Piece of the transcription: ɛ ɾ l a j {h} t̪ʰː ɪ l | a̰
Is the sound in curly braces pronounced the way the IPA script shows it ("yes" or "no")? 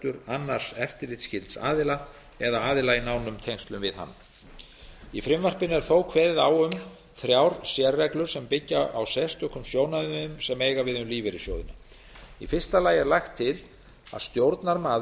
no